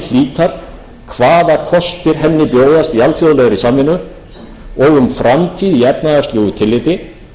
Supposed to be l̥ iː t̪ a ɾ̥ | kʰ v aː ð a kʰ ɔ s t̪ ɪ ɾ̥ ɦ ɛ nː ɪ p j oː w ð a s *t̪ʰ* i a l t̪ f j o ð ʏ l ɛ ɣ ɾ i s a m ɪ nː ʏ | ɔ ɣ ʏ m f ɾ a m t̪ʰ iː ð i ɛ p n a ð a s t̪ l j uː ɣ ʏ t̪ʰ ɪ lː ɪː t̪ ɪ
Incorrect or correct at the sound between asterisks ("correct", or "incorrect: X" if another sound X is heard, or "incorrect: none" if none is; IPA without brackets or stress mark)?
incorrect: t̪